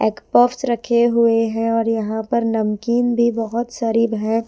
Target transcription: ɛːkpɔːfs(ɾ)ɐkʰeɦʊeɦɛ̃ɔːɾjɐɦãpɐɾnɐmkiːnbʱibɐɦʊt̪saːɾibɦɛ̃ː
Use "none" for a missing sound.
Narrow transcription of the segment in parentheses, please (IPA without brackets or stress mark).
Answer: ɾ